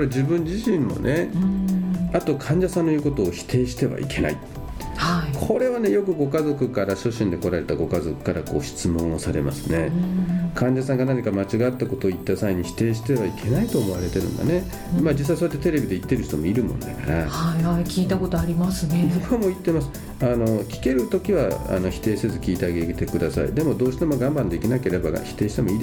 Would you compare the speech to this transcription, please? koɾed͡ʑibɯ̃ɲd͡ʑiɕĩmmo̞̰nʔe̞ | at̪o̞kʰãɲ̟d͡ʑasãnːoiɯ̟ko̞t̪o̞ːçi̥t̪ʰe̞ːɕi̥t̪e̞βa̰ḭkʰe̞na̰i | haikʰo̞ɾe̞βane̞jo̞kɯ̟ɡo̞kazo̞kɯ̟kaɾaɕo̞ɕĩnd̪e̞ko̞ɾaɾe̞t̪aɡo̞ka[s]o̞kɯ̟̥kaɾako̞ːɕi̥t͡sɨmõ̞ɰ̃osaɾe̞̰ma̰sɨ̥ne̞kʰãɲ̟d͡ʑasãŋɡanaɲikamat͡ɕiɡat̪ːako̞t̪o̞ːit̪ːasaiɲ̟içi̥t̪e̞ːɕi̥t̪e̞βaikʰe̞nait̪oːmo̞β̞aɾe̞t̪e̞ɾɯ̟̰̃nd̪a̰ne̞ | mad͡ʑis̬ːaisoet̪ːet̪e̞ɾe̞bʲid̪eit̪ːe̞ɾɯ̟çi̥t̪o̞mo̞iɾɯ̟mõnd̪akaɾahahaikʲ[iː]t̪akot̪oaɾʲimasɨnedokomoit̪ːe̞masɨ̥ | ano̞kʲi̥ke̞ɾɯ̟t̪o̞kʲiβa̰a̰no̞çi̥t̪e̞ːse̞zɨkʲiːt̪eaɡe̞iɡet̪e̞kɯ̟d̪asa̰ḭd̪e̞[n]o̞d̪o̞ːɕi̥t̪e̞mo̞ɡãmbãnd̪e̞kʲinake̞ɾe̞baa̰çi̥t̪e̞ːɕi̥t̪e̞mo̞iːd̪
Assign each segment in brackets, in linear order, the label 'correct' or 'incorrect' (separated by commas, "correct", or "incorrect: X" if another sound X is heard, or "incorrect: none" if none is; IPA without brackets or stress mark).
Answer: incorrect: z, correct, incorrect: m